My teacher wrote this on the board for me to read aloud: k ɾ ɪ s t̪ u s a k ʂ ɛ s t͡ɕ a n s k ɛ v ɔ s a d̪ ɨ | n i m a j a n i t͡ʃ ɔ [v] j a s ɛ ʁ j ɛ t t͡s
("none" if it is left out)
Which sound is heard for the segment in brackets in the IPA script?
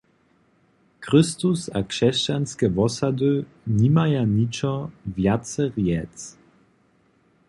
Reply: v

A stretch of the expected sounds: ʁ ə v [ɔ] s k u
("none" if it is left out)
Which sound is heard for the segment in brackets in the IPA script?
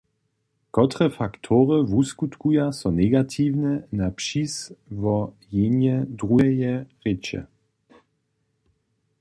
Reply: u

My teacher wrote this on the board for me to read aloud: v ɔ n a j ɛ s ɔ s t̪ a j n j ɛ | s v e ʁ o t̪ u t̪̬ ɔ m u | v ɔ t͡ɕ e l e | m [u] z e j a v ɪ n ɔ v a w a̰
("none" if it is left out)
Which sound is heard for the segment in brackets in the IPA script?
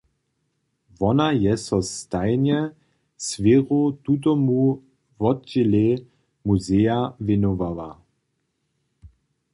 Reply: u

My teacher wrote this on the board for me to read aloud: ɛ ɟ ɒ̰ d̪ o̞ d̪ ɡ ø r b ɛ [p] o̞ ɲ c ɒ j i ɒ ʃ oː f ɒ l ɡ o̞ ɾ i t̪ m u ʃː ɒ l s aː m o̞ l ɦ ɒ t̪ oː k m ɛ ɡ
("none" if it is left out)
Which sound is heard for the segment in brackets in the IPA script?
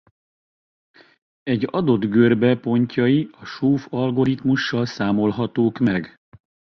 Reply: p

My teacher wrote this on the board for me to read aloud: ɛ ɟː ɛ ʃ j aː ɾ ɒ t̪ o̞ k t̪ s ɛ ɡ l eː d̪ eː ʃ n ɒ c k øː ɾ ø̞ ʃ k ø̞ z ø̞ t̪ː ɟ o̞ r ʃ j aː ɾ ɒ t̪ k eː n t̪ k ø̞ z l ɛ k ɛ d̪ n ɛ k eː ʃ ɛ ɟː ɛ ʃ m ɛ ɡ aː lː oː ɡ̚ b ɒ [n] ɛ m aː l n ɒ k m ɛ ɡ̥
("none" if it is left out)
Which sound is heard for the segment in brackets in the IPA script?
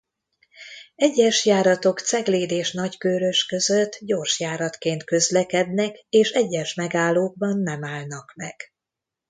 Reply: nː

